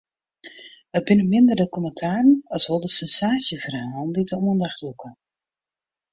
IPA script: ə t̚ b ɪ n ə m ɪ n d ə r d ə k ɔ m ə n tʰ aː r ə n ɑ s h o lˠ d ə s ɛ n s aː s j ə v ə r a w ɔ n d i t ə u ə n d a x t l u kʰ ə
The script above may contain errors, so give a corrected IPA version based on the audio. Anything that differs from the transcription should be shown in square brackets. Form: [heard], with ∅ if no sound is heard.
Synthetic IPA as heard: ə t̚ b ɪ n ə m ɪ n d ə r d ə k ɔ m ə n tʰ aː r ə n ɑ s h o lˠ d ə s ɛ n s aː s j ə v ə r a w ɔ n d i t ə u ə n d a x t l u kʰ ə